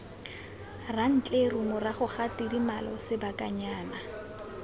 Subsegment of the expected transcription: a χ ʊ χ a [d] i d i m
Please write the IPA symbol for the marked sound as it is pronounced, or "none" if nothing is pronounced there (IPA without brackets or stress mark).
t